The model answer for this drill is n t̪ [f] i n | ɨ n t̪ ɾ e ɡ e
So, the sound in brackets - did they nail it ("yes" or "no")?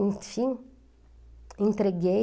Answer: yes